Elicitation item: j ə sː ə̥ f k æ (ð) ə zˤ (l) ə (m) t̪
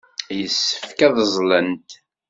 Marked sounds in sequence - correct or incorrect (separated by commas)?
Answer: correct, correct, incorrect